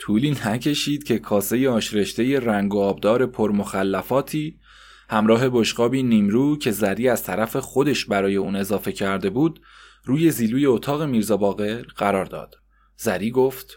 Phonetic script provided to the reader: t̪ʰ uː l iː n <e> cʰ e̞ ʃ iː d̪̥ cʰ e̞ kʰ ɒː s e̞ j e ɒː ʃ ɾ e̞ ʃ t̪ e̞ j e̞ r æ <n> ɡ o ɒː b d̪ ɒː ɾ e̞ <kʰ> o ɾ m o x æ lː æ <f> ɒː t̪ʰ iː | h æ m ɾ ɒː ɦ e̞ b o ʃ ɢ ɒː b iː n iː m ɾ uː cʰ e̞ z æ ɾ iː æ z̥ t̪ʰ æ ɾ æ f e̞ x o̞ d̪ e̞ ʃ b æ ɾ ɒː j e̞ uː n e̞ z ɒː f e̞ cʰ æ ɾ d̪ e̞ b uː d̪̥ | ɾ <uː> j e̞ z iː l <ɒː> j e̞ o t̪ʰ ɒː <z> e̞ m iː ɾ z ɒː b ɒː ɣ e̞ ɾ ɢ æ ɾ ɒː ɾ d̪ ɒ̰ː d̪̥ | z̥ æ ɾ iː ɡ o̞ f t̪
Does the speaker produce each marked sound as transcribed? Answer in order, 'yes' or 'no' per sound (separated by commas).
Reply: no, no, no, yes, yes, no, no